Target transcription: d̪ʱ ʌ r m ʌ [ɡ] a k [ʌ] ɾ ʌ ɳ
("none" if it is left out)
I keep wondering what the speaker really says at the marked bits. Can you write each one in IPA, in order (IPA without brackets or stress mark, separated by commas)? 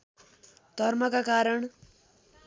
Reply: k, a